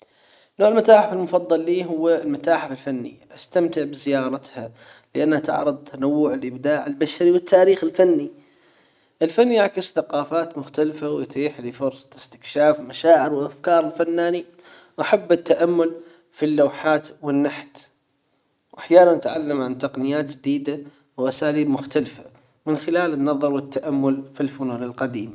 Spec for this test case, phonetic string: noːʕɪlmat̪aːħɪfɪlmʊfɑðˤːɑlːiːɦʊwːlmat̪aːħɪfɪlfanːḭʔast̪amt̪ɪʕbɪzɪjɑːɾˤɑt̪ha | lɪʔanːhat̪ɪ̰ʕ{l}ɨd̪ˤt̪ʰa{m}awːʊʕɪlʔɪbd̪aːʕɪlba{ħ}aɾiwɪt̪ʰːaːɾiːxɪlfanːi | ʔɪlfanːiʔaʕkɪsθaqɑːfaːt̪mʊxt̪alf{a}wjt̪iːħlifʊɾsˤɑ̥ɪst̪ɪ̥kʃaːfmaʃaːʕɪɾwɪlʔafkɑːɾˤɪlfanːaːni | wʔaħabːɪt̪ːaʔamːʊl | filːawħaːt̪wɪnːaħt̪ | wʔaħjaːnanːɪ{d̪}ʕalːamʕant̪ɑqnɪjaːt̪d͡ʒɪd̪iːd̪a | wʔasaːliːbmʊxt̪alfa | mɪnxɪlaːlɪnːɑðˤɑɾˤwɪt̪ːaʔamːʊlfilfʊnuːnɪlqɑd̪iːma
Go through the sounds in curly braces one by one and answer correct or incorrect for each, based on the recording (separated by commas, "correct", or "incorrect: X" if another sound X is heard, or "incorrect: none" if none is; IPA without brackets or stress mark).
incorrect: ɾ, incorrect: n, incorrect: ʃ, correct, incorrect: t̪